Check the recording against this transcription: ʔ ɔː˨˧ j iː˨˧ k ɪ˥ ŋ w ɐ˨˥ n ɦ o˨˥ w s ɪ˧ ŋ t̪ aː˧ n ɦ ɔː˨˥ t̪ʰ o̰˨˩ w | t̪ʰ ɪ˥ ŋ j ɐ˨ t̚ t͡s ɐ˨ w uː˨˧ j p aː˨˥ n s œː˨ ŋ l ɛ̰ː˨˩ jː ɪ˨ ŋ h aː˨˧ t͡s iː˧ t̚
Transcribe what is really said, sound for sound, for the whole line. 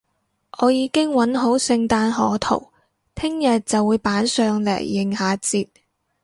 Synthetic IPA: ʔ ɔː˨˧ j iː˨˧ k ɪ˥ ŋ w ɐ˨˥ n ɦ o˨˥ w s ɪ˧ ŋ t̪ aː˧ n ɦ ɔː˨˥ t̪ʰ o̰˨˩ w | t̪ʰ ɪ˥ ŋ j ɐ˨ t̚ t͡s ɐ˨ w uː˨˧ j p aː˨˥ n s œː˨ ŋ l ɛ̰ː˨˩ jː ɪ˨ ŋ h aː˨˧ t͡s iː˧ t̚

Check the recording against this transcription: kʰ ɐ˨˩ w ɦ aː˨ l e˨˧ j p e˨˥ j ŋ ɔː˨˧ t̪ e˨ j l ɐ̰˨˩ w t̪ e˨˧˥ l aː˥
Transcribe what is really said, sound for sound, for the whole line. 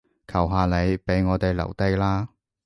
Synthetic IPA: kʰ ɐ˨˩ w ɦ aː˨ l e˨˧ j p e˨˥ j ŋ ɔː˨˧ t̪ e˨ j l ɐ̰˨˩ w t̪ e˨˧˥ l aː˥

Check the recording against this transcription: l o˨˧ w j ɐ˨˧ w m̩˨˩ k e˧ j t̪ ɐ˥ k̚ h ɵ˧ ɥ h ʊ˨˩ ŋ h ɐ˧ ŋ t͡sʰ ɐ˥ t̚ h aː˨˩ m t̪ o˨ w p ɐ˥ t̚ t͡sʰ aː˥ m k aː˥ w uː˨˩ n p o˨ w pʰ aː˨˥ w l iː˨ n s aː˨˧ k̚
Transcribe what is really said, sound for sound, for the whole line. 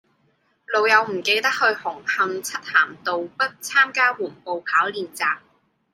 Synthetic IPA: l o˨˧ w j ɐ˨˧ w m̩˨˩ k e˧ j t̪ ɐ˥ k̚ h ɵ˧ ɥ h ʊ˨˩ ŋ h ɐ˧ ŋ t͡sʰ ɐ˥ t̚ h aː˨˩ m t̪ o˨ w p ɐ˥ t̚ t͡sʰ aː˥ m k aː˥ w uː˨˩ n p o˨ w pʰ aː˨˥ w l iː˨ n t͡s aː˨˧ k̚

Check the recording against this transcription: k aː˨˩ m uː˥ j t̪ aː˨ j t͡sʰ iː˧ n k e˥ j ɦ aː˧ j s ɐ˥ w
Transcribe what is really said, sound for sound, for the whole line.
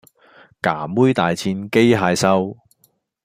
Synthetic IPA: k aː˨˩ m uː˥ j t̪ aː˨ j t͡sʰ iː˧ n k e˥ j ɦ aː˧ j s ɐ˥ w

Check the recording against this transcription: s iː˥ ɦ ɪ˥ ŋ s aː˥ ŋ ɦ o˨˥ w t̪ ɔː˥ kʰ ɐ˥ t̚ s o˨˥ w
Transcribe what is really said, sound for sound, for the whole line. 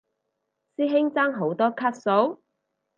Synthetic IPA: s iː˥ ɦ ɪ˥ ŋ t͡s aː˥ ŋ ɦ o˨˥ w t̪ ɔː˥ kʰ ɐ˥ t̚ s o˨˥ w

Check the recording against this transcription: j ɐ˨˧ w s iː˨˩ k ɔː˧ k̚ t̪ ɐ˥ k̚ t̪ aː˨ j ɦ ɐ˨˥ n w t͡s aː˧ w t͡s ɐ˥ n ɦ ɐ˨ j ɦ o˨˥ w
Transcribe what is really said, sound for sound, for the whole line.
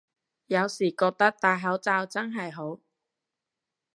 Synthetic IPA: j ɐ˨˧ w s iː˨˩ k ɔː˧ k̚ t̪ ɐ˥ k̚ t̪ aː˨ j ɦ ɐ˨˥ w t͡s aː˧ w t͡s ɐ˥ n ɦ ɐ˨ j ɦ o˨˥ w

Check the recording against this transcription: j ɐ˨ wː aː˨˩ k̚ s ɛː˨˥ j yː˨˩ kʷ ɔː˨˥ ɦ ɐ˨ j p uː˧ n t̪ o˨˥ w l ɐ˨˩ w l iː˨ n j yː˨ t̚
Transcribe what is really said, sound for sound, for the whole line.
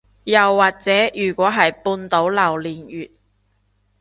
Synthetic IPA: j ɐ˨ wː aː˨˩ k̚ t͡s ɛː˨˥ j yː˨˩ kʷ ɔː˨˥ ɦ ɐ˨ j p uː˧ n t̪ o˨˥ w l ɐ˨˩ w l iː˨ n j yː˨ t̚

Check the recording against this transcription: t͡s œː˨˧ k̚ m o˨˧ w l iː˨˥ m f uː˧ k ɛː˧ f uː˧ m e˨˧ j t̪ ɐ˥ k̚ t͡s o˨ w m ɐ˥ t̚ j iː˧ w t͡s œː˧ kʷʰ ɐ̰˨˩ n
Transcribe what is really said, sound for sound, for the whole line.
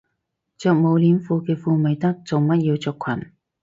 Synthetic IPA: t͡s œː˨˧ k̚ m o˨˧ w l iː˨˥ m f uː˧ k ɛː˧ f uː˧ m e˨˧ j t̪ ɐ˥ k̚ t͡s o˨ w m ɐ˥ t̚ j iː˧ w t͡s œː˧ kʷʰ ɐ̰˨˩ n

